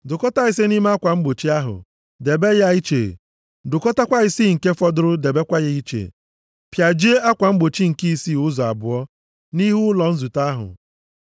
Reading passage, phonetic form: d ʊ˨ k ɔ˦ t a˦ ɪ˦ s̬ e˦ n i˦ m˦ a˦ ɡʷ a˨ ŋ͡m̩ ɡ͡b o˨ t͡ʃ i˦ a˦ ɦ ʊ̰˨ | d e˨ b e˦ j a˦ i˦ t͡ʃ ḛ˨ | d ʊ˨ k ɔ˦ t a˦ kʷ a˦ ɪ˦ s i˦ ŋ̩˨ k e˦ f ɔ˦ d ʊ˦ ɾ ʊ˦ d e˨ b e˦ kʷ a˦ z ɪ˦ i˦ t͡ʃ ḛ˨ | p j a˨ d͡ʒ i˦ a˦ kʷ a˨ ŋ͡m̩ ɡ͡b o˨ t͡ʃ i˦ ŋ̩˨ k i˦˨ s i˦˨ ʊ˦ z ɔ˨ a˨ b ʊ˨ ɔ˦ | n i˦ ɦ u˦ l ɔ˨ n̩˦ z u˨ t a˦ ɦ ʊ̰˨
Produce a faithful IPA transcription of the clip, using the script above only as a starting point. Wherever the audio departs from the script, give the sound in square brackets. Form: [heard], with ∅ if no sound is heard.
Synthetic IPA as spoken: d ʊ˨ k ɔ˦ t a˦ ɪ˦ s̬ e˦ n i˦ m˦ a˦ [kʷ] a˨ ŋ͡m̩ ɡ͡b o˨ t͡ʃ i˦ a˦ ɦ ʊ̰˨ | d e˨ b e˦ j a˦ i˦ t͡ʃ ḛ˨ | d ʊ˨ k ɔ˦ t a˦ kʷ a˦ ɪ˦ s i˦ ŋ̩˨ k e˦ f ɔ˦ d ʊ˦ ɾ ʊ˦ d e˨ b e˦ kʷ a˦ [ɣ] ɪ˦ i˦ t͡ʃ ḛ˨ | p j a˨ d͡ʒ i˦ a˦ kʷ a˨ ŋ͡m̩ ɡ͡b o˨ t͡ʃ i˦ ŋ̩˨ k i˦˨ s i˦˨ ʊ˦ z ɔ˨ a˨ b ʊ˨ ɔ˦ | n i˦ ɦ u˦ l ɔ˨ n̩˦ z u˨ t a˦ ɦ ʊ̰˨